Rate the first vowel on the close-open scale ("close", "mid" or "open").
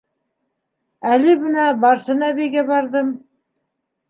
open